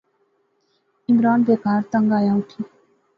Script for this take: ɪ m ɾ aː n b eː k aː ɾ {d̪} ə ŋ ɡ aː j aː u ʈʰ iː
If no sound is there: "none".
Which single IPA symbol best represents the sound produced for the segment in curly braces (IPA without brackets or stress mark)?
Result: t̪